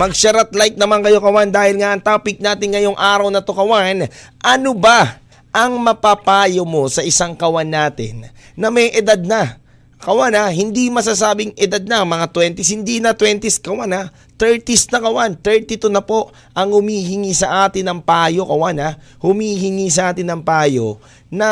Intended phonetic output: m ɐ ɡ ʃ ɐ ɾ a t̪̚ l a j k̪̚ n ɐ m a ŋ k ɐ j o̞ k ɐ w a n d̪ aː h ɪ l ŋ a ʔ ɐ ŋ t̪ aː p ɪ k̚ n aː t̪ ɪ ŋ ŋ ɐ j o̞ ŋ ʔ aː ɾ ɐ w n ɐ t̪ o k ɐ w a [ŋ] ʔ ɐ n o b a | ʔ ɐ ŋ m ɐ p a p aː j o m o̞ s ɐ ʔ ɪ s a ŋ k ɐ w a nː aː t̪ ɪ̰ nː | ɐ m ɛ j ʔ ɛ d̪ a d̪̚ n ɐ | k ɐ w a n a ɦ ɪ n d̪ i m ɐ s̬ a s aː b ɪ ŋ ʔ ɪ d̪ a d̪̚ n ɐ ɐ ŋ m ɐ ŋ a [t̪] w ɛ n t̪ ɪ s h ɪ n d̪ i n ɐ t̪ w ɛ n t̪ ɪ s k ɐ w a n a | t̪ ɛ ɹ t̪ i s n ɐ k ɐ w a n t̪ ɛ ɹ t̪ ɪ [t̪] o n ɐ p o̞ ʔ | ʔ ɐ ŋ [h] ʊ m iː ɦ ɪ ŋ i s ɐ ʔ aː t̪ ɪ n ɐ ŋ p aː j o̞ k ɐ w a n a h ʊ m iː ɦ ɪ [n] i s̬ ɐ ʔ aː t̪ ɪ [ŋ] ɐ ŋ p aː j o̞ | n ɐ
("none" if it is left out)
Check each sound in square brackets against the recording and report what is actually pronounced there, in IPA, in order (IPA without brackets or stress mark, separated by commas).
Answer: n, t̪, t̪, h, ŋ, n